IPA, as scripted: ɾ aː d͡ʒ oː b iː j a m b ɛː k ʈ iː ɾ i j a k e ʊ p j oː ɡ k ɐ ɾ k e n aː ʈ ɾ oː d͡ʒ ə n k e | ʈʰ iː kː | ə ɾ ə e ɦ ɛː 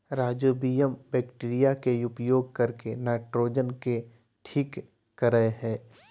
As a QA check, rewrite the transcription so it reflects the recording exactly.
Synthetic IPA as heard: ɾ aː d͡ʒ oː b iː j ə m b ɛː k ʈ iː ɾ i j a k e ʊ p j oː ɡ k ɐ ɾ k e n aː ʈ ɾ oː d͡ʒ ə n k e | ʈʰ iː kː | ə ɾ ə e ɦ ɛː